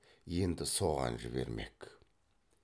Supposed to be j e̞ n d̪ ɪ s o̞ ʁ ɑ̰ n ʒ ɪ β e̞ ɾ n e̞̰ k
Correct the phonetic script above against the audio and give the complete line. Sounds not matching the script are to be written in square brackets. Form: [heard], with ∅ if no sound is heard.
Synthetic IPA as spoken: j e̞ n d̪ ɪ s o̞ ʁ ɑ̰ n ʒ ɪ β e̞ ɾ [m] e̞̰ k